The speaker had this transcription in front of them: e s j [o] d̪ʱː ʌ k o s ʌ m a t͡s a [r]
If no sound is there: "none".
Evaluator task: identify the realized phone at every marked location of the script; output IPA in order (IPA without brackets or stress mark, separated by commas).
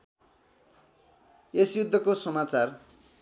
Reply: u, r